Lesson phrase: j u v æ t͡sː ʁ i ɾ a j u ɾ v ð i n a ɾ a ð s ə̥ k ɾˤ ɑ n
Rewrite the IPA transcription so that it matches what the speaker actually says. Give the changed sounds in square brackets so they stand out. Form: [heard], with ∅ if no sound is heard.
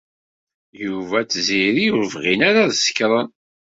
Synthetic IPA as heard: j u v æ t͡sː [z] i ɾ [i] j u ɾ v [ʁ] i n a ɾ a ð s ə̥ k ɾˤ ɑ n